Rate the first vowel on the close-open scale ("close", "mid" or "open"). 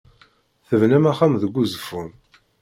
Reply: mid